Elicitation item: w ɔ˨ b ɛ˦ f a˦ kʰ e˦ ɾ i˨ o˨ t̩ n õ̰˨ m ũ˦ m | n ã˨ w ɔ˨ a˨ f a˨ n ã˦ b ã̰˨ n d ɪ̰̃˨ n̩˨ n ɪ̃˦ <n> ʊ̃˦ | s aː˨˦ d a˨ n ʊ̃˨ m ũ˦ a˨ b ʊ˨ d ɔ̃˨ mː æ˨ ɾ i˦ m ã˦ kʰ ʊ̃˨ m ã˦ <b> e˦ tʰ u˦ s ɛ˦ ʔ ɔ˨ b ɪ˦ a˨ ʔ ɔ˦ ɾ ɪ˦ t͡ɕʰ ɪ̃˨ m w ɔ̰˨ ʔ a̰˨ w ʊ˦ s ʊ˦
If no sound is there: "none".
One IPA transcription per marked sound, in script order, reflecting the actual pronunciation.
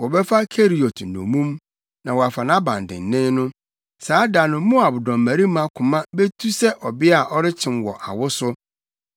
n, b

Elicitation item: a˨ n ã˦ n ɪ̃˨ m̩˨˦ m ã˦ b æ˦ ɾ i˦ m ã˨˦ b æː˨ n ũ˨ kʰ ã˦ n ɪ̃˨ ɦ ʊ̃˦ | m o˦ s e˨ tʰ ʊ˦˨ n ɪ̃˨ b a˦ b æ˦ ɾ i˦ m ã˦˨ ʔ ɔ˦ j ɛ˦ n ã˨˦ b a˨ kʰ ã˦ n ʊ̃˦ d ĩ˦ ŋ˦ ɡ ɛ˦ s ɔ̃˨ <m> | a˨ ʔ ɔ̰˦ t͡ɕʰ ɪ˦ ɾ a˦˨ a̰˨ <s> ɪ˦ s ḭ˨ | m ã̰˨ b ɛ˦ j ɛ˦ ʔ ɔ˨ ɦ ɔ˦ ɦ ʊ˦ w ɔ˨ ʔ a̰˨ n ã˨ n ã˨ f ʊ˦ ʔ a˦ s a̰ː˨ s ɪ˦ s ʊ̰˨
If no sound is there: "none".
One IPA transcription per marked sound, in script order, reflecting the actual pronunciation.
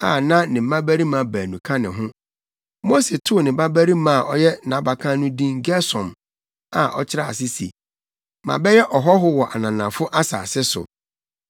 m, s

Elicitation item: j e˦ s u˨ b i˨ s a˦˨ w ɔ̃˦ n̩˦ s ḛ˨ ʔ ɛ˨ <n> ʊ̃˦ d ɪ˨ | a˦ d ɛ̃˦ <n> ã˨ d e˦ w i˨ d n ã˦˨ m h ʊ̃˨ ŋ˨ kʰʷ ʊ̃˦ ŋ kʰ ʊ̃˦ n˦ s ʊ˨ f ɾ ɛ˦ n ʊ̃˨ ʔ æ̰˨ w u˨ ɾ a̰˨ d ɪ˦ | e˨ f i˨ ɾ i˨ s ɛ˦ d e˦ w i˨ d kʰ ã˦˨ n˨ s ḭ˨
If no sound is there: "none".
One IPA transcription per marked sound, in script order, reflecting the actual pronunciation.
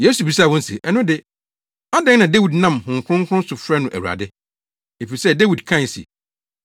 n, n

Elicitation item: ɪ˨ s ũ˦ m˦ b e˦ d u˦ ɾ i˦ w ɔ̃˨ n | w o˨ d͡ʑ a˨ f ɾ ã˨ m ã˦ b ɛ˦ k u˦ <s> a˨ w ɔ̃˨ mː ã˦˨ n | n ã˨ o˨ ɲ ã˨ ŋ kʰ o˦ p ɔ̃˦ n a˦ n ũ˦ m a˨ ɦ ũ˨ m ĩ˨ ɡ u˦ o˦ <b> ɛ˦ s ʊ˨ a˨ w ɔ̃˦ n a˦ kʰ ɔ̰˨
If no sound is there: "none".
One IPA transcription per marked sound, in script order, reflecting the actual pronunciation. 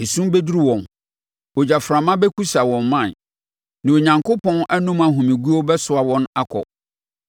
s, b

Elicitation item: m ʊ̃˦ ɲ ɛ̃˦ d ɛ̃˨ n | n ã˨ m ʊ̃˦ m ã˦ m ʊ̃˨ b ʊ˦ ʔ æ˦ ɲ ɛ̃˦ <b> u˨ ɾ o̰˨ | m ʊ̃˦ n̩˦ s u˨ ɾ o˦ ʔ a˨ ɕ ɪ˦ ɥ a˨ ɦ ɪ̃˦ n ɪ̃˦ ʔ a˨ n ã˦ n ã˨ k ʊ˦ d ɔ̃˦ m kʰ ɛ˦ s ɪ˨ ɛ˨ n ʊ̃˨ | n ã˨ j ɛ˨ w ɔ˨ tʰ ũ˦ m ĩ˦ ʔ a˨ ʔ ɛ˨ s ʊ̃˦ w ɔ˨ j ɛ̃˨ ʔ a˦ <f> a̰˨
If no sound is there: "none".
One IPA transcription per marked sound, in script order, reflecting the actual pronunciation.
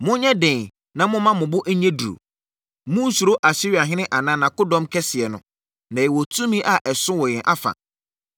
d, f

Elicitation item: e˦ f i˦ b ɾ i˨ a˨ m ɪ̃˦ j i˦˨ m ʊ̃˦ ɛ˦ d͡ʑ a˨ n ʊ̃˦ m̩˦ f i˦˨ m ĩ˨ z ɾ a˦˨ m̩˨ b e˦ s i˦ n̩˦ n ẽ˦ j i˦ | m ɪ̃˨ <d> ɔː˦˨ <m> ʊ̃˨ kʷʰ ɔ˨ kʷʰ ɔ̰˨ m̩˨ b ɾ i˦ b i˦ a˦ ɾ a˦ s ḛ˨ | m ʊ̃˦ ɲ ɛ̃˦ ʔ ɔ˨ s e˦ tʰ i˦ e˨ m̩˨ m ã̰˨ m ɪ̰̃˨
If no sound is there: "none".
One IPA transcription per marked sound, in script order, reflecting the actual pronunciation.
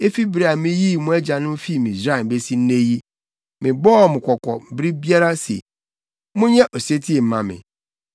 b, m

